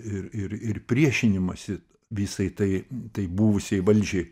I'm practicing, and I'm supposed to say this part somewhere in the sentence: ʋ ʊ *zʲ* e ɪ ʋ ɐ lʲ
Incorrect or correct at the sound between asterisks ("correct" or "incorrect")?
incorrect